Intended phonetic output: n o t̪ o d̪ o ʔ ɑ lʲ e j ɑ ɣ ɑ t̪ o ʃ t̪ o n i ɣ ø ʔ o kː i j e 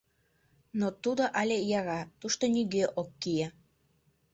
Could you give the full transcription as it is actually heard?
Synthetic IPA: n o t̪ u d̪ o ʔ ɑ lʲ e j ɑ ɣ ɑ t̪ u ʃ t̪ o n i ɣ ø ʔ o kː i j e